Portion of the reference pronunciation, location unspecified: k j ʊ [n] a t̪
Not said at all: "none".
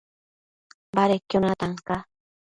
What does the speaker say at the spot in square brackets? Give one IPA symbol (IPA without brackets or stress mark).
n